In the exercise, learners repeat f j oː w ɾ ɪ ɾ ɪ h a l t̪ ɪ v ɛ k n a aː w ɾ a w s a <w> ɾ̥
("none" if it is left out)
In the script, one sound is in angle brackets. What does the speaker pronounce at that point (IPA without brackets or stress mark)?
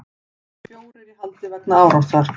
none